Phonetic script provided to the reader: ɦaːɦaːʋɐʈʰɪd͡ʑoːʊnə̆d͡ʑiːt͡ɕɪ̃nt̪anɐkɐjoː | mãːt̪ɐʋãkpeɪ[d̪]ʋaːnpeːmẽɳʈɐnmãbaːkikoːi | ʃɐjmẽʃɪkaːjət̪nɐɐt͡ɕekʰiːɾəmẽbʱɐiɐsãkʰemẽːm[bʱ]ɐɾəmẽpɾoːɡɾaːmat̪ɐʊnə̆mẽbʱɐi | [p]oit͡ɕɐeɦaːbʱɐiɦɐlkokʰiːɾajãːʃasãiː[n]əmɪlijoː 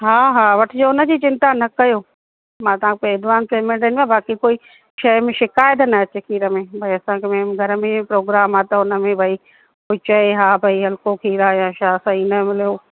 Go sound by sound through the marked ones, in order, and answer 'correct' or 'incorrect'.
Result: correct, incorrect: ɡʱ, incorrect: k, correct

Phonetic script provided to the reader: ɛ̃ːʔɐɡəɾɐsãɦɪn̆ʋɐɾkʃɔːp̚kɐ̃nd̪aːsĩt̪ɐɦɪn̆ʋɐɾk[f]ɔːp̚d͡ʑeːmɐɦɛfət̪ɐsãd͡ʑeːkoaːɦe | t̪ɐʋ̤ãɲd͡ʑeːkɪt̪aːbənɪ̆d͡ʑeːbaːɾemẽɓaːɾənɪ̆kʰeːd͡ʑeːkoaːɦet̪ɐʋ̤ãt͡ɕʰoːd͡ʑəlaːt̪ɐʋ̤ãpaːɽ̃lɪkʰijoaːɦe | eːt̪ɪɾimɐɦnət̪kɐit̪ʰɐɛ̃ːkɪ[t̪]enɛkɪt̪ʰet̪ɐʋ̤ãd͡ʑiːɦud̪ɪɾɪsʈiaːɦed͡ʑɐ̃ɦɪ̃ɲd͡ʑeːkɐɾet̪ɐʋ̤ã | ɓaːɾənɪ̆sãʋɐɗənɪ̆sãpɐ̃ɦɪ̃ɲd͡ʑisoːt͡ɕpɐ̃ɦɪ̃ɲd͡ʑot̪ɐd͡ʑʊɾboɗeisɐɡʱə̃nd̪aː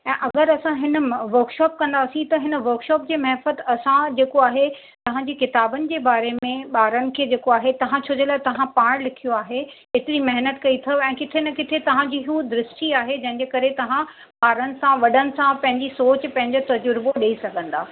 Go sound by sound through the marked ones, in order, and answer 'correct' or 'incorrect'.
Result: incorrect: ʃ, incorrect: t̪ʰ

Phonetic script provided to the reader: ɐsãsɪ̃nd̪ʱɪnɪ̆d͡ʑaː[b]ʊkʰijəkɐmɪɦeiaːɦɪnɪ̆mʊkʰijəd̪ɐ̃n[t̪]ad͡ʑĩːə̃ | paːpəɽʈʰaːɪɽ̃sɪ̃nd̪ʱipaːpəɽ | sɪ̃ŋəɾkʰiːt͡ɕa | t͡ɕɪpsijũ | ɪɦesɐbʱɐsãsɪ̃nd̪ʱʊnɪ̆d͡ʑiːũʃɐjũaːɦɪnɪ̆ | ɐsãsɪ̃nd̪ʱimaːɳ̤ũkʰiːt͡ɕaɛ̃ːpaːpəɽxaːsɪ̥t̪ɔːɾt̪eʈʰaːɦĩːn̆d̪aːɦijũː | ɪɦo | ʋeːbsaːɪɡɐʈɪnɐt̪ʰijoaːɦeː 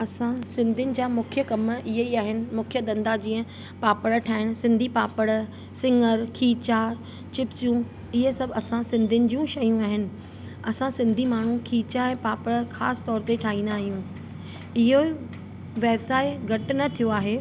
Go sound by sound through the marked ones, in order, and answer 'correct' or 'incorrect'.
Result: incorrect: m, incorrect: d̪

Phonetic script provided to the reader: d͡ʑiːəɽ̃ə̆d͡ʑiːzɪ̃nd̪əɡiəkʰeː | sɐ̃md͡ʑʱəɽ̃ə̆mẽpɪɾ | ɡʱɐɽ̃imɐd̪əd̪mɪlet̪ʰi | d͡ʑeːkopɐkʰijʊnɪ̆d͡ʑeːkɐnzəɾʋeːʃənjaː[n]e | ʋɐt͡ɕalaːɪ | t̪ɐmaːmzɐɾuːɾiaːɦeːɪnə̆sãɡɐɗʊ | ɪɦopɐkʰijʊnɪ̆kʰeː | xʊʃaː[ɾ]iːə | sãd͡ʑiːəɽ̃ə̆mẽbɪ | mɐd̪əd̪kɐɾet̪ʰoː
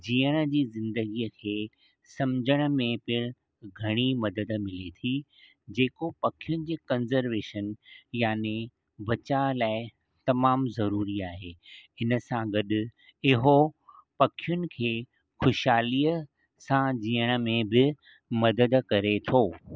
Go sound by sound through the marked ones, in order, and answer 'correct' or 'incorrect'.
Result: correct, incorrect: l

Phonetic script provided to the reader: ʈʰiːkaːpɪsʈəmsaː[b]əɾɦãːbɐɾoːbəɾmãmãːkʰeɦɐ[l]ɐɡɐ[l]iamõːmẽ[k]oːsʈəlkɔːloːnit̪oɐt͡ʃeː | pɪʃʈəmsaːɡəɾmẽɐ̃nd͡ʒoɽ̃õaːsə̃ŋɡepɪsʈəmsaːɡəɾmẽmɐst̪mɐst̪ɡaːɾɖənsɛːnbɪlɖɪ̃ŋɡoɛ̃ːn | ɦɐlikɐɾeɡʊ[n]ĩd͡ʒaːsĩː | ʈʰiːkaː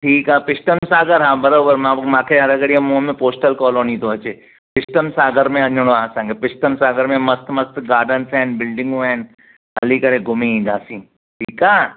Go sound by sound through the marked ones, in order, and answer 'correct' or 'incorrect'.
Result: incorrect: ɡ, incorrect: ɾ, incorrect: ɽ, incorrect: p, incorrect: m

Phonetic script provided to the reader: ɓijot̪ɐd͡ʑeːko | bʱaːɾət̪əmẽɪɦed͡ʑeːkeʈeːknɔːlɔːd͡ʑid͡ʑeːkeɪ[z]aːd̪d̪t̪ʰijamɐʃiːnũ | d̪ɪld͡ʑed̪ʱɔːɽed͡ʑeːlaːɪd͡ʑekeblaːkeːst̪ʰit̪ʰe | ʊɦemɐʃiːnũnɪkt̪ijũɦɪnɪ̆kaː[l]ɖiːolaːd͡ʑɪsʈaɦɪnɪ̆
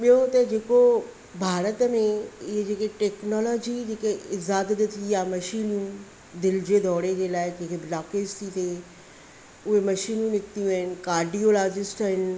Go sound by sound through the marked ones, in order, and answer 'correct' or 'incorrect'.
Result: correct, incorrect: ɾ

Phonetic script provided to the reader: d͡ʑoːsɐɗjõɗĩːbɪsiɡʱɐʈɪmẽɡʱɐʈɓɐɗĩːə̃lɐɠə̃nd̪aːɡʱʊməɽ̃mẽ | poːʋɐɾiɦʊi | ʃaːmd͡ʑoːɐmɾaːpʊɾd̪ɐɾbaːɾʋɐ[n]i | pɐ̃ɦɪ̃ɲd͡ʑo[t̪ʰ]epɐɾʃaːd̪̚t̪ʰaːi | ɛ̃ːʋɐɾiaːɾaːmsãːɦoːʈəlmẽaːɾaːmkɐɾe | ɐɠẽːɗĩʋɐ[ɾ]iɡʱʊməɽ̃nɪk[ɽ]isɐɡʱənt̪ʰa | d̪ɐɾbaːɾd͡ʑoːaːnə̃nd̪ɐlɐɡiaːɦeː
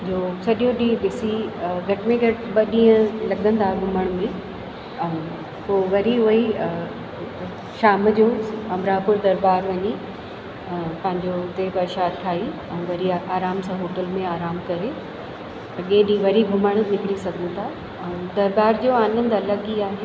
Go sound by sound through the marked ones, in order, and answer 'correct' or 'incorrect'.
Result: incorrect: ɲ, incorrect: t̪, correct, correct

